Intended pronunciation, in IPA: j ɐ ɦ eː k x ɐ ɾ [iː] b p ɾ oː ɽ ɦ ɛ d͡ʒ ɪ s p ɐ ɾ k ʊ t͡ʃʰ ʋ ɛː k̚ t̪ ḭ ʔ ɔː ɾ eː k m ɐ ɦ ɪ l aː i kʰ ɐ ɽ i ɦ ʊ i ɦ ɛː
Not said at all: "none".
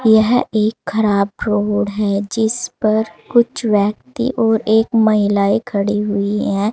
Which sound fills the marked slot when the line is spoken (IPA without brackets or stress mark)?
aː